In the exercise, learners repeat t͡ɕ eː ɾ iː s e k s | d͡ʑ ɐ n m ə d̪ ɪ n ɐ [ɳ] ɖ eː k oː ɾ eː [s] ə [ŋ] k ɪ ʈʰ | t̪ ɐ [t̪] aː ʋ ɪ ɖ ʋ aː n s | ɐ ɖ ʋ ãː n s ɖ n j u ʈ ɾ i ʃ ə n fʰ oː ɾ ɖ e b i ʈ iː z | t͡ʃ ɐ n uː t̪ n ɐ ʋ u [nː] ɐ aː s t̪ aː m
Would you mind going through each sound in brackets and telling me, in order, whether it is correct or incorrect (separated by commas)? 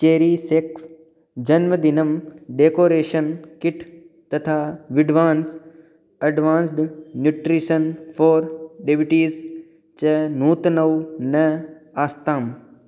incorrect, incorrect, incorrect, incorrect, incorrect